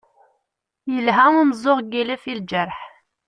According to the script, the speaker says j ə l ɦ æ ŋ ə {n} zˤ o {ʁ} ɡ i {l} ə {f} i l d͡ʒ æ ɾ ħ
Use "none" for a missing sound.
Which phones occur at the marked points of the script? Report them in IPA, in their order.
m, ʁ, l, f

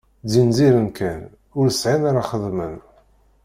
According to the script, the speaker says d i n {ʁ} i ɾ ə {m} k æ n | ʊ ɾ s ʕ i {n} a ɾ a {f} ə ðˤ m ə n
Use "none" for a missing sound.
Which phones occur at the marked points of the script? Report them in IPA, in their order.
z, n, n, χ

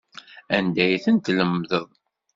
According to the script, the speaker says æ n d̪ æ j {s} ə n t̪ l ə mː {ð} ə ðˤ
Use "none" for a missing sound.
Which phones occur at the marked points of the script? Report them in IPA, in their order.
θ, ð

